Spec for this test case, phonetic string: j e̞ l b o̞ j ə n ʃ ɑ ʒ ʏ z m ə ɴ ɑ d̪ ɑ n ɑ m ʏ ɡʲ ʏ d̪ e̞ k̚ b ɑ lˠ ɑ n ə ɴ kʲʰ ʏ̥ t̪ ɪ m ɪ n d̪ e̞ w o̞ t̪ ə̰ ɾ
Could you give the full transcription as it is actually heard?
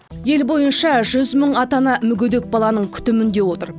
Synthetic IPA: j e̞ l b o̞ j ə n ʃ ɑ ʒ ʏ z m ə ɴ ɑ t̪ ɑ n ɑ m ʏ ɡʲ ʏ d̪ e̞ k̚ b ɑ lˠ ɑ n ə ɴ kʲʰ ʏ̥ t̪ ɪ m ɪ n d̪ e̞ w o̞ t̪ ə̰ ɾ